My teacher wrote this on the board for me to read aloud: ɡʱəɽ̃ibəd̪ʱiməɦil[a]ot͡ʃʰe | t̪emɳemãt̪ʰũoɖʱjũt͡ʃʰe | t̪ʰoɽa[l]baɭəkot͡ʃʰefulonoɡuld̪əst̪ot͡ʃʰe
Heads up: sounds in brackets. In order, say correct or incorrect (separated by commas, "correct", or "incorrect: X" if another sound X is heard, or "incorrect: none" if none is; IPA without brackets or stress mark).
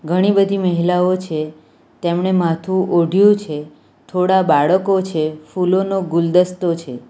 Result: correct, incorrect: none